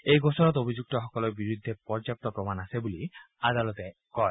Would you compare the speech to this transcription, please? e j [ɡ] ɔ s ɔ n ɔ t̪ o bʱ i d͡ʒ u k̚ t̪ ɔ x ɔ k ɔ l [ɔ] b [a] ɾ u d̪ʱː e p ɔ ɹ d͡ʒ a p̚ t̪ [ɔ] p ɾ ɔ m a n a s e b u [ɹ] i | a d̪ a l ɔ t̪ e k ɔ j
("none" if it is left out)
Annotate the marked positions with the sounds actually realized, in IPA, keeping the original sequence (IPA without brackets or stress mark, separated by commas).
ɡ, ɔ, i, ɔ, l